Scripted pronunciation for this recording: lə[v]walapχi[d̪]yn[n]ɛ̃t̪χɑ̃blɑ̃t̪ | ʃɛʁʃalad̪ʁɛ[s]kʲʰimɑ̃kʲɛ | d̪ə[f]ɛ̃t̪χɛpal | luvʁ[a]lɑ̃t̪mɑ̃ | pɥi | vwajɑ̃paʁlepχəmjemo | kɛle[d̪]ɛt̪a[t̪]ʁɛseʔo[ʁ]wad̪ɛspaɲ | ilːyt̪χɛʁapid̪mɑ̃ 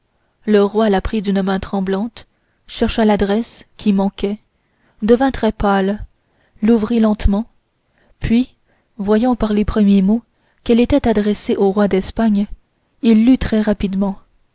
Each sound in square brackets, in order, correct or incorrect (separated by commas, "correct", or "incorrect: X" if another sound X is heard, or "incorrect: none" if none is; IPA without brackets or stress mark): incorrect: ʁ, correct, incorrect: m, correct, incorrect: v, incorrect: i, incorrect: t̪, incorrect: d̪, correct